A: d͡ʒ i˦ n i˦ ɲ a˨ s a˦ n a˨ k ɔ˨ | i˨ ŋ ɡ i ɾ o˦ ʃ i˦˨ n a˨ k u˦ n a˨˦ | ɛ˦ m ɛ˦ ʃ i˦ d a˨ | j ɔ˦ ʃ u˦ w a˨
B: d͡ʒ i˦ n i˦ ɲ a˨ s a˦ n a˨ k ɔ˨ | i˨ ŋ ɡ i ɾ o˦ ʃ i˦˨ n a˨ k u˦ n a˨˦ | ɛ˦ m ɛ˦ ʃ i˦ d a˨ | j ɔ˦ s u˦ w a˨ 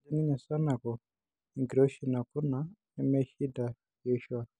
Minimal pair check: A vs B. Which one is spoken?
A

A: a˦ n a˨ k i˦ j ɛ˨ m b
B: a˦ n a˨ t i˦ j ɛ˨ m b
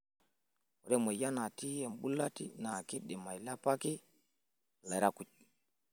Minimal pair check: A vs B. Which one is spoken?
B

